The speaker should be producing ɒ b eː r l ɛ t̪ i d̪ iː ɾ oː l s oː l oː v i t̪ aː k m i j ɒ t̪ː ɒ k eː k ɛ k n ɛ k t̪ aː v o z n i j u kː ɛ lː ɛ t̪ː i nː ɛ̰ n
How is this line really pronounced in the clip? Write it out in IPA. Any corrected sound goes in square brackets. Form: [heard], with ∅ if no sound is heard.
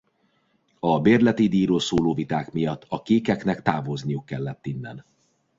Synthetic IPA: ɒ b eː r l ɛ t̪ i d̪ iː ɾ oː l s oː l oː v i t̪ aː k m i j ɒ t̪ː ɒ k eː k ɛ k n ɛ k t̪ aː v o z n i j u kː ɛ lː ɛ t̪ː i nː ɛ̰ n